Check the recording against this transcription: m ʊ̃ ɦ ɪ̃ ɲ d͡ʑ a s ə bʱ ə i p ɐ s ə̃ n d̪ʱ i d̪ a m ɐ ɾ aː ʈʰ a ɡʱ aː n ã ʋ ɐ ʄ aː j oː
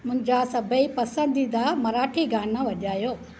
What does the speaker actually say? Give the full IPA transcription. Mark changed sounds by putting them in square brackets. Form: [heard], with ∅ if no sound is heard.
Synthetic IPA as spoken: m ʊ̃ ɦ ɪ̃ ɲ d͡ʑ a s [ɐ] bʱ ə i p ɐ s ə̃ n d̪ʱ i d̪ a m ɐ ɾ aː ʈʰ [i] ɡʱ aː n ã ʋ ɐ ʄ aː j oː

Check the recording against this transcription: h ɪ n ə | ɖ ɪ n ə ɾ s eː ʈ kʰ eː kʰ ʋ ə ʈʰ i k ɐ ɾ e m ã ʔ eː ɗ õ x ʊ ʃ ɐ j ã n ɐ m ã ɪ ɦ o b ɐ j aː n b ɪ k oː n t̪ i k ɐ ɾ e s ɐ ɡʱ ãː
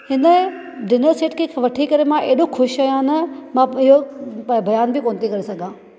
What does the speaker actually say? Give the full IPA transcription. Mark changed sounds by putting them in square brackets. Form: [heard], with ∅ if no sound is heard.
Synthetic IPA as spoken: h ɪ n ə | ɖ ɪ n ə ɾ s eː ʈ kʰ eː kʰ ʋ [ɐ] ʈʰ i k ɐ ɾ e m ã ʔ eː ɗ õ x ʊ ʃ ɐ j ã n ɐ m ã ɪ ɦ o b ɐ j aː n b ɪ k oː n t̪ i k ɐ ɾ e s ɐ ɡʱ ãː

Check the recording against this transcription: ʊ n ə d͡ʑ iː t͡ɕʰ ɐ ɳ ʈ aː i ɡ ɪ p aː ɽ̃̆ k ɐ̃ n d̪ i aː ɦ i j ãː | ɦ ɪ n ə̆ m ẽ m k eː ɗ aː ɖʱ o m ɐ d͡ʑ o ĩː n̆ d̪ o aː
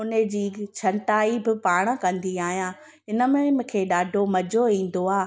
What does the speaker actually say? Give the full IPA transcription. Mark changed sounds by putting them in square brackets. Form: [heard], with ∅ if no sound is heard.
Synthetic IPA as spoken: ʊ n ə d͡ʑ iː t͡ɕʰ ɐ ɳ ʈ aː i [b] ɪ p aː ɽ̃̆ k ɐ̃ n d̪ i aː ɦ i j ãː | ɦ ɪ n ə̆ m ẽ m [kʰ] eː ɗ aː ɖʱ o m ɐ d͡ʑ o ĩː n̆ d̪ o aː

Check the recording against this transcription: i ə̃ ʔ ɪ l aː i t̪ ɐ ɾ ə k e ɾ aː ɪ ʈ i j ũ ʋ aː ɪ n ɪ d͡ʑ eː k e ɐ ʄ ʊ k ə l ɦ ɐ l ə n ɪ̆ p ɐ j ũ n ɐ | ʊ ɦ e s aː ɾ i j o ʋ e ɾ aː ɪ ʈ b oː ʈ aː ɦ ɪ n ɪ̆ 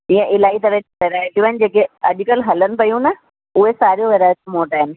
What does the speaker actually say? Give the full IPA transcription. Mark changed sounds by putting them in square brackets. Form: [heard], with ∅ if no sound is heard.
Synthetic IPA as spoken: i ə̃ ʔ ɪ l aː i t̪ ɐ ɾ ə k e ɾ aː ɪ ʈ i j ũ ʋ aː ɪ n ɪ d͡ʑ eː k e ɐ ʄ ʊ k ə l ɦ ɐ l ə n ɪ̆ p ɐ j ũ n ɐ | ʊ ɦ e s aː ɾ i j o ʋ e ɾ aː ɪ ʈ [m] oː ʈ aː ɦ ɪ n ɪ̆

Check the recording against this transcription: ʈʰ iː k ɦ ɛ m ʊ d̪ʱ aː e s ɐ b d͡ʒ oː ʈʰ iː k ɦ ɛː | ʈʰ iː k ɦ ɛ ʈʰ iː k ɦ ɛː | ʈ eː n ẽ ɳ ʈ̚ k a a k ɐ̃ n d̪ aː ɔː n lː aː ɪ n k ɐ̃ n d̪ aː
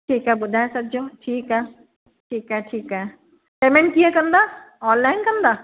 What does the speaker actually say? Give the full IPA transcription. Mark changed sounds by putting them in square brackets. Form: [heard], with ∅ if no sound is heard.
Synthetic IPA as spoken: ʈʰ iː k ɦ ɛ [b] ʊ d̪ʱ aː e s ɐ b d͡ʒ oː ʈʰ iː k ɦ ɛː | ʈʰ iː k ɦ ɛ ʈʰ iː k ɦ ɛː | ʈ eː [m] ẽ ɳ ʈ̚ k [i] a k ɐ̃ n d̪ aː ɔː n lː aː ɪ n k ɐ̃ n d̪ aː

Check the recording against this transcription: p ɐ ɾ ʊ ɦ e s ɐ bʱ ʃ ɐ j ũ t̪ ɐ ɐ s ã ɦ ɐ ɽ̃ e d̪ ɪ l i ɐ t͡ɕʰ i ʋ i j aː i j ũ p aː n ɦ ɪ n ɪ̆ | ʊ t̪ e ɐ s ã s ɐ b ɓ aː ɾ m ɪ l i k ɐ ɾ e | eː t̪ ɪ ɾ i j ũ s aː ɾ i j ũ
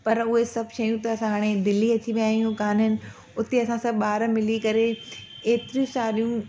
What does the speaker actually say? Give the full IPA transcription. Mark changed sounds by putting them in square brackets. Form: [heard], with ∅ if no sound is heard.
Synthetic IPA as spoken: p ɐ ɾ ʊ ɦ e s ɐ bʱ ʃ ɐ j ũ t̪ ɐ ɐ s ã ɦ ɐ ɽ̃ e d̪ ɪ l i ɐ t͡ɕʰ i ʋ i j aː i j ũ [k] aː n ɦ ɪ n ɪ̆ | ʊ t̪ e ɐ s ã s ɐ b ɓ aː ɾ m ɪ l i k ɐ ɾ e | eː t̪ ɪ ɾ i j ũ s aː ɾ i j ũ

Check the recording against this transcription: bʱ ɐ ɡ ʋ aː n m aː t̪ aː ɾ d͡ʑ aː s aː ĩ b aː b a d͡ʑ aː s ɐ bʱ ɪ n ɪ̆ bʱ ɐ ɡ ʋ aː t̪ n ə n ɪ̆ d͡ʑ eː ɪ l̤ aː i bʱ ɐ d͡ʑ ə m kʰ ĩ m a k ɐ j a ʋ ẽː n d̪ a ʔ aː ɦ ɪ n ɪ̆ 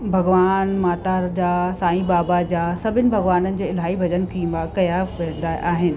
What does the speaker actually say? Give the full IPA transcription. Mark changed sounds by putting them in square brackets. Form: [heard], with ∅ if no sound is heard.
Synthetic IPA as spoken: bʱ ɐ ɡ ʋ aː n m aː t̪ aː ɾ d͡ʑ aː s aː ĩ b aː b a d͡ʑ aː s ɐ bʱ ɪ n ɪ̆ bʱ ɐ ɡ ʋ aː [∅] n ə n ɪ̆ d͡ʑ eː ɪ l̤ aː i bʱ ɐ d͡ʑ ə [n] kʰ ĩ m a k ɐ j a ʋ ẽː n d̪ a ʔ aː ɦ ɪ n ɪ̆

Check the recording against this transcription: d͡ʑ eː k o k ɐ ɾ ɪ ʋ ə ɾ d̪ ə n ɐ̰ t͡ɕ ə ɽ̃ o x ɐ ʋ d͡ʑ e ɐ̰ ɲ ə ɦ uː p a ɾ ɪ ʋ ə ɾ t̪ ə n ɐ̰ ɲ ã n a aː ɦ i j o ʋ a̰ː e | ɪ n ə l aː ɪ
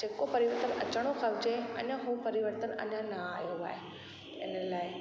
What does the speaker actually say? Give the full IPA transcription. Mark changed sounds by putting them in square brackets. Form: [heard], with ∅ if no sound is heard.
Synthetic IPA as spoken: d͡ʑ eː k o [p] ɐ ɾ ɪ ʋ ə ɾ [t̪] ə n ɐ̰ t͡ɕ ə ɽ̃ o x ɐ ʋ d͡ʑ e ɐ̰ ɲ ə ɦ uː p [ɐ] ɾ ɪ ʋ ə ɾ t̪ ə n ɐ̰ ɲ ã n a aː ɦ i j o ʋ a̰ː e | ɪ n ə l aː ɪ

